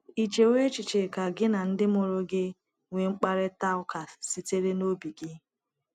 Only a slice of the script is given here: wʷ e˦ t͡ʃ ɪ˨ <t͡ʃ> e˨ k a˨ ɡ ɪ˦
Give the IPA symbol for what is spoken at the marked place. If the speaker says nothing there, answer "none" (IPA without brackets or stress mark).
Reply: t͡ʃ